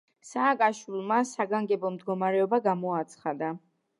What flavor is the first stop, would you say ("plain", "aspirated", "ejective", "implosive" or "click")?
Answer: ejective